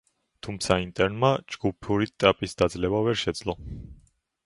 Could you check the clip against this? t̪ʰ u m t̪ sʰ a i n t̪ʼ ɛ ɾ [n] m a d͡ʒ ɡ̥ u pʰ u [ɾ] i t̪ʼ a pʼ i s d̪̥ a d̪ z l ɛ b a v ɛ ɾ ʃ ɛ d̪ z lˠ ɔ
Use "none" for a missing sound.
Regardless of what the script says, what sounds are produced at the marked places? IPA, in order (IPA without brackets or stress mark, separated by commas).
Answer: n, ɾ